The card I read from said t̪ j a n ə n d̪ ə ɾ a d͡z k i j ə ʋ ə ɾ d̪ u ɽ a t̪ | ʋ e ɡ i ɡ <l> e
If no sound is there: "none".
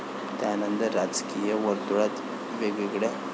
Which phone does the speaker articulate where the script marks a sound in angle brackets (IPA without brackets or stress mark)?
ɽ